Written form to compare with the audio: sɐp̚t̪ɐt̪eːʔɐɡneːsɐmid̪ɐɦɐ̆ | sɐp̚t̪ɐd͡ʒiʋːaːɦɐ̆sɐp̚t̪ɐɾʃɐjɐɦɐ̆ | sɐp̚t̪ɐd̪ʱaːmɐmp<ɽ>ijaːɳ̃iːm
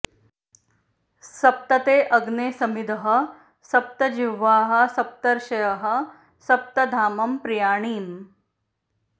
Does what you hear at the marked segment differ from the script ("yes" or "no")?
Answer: yes